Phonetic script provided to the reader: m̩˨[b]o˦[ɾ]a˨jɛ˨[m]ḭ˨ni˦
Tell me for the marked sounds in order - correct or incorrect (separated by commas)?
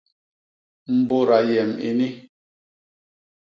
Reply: correct, correct, correct